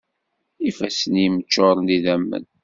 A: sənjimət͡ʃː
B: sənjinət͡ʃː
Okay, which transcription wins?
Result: A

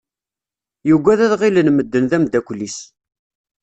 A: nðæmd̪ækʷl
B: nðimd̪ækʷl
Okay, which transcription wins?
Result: A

